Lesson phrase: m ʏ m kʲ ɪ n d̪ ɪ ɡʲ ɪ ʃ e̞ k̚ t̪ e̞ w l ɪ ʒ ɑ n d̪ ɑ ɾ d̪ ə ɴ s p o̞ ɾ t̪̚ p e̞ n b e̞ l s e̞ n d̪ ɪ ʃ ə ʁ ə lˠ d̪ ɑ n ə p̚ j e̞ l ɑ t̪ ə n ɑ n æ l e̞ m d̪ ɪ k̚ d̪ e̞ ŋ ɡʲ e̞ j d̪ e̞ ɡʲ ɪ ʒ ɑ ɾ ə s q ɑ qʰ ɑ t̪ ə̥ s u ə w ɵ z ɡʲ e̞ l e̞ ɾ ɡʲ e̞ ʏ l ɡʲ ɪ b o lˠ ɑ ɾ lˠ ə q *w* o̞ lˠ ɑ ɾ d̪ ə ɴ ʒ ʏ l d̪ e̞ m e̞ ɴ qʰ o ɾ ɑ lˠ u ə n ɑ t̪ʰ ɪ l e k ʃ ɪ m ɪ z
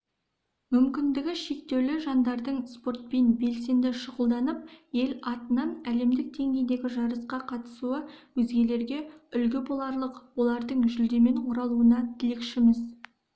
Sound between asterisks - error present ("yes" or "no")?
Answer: no